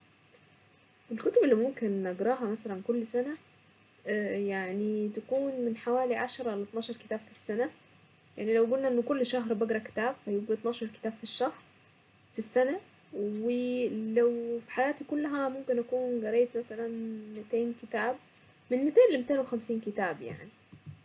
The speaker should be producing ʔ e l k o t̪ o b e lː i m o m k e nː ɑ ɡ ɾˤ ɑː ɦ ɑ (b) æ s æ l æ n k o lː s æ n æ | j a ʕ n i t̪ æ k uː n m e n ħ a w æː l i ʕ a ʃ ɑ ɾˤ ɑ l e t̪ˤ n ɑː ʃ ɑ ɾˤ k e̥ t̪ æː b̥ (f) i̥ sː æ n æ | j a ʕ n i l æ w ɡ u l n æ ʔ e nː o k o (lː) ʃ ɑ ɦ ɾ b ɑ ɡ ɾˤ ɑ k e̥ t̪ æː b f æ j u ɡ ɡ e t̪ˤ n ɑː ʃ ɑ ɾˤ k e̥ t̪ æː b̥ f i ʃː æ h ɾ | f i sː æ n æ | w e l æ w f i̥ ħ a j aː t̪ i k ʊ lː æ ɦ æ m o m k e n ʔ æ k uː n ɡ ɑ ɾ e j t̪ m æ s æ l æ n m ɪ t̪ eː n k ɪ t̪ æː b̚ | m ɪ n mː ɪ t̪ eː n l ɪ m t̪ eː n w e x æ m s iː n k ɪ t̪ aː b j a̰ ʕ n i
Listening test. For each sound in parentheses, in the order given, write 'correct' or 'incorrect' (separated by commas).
incorrect, correct, correct